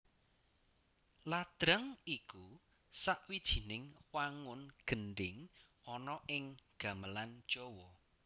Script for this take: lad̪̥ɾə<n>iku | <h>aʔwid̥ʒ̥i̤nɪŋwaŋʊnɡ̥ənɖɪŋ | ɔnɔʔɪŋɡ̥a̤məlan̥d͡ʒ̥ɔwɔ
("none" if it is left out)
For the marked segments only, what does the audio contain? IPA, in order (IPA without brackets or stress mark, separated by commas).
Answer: ŋ, s